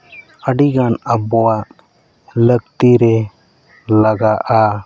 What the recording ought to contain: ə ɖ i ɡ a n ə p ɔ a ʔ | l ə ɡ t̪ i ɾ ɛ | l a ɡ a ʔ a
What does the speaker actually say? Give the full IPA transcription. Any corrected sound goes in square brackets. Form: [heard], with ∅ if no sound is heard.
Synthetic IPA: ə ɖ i ɡ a n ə [b] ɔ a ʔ | l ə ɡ t̪ i ɾ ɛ | l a ɡ a ʔ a